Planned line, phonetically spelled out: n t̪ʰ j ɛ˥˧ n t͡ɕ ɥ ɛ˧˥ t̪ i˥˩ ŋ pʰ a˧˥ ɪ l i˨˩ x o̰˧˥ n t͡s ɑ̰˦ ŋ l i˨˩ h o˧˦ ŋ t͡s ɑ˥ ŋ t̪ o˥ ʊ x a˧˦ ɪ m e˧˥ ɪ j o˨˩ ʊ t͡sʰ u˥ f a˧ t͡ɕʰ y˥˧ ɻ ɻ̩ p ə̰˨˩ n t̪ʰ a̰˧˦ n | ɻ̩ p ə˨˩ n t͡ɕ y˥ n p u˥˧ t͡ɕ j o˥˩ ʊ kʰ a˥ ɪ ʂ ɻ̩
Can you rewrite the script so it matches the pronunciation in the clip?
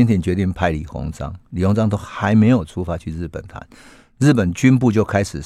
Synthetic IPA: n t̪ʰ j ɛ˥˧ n t͡ɕ ɥ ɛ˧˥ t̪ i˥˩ ŋ pʰ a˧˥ ɪ l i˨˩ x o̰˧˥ ŋ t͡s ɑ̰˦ ŋ l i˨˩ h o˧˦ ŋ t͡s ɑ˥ ŋ t̪ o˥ ʊ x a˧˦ ɪ m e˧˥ ɪ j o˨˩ ʊ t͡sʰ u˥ f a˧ t͡ɕʰ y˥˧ ɻ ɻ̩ p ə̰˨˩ n t̪ʰ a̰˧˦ n | ɻ̩ p ə˨˩ n t͡ɕ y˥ n p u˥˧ t͡ɕ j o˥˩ ʊ kʰ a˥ ɪ ʂ ɻ̩